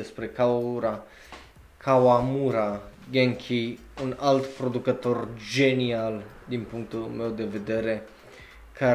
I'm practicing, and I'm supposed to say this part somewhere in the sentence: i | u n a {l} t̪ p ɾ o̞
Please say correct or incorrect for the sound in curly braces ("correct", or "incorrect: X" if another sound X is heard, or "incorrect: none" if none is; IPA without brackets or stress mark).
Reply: correct